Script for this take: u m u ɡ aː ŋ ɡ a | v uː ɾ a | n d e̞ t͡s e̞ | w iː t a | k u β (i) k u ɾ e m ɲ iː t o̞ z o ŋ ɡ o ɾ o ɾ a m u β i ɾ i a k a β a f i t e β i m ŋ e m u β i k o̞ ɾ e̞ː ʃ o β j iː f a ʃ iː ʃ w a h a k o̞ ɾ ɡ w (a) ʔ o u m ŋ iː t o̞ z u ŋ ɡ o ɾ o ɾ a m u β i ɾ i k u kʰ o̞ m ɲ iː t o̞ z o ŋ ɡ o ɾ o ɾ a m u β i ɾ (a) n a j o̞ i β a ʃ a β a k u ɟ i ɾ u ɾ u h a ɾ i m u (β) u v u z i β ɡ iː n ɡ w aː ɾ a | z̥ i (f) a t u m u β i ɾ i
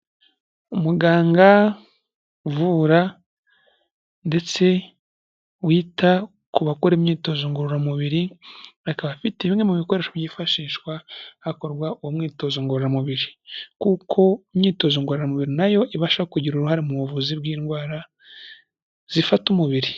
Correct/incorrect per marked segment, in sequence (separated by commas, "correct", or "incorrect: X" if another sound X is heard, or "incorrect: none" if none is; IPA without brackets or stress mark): incorrect: a, correct, incorrect: i, correct, correct